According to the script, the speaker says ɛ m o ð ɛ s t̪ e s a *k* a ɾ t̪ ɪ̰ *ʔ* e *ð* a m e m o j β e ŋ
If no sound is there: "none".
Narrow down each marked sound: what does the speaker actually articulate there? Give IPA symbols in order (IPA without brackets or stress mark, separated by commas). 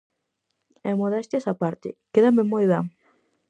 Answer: p, k, ð